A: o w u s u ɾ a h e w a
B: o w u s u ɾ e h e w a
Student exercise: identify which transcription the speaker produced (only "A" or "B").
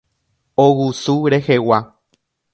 B